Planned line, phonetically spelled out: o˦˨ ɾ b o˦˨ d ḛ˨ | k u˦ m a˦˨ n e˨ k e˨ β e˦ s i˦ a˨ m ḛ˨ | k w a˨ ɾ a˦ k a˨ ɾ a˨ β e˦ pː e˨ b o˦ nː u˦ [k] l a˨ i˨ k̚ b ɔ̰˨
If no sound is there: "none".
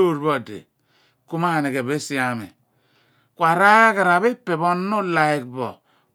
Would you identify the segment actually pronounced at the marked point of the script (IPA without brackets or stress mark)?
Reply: none